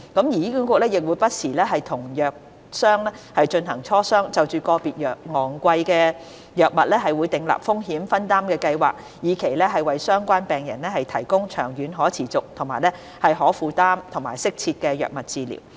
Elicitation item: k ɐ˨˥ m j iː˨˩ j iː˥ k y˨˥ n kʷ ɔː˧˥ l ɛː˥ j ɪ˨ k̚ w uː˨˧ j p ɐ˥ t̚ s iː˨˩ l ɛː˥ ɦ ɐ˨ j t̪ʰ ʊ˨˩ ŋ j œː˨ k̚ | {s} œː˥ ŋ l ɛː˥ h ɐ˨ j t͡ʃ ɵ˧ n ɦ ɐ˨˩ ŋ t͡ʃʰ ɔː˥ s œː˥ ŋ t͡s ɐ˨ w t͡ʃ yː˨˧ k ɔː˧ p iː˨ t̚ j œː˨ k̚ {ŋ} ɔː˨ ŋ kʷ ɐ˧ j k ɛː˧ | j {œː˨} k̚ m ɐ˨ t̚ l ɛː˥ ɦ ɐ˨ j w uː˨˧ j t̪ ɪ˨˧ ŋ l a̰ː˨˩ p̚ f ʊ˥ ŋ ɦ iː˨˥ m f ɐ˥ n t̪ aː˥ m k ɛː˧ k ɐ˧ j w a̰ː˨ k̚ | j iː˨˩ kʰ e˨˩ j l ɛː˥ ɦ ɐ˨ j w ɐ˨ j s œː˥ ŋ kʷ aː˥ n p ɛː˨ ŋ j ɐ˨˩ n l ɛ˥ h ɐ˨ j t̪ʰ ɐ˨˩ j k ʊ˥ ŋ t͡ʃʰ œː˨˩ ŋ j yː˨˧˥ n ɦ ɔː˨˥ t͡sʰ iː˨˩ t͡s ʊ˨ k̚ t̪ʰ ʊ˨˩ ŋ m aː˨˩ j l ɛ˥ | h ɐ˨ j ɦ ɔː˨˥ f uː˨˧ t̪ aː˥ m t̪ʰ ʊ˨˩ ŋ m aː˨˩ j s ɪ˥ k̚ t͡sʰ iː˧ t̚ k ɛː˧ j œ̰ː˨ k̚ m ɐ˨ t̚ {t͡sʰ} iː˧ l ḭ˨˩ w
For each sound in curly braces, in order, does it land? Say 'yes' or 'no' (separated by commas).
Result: yes, yes, yes, no